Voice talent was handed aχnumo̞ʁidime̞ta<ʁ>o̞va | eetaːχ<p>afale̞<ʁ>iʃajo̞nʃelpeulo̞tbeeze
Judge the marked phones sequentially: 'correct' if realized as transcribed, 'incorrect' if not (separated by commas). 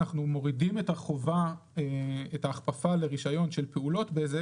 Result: incorrect, correct, correct